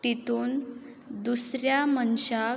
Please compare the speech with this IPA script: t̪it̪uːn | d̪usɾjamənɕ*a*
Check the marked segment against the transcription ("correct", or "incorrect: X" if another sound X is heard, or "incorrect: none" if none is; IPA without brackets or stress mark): correct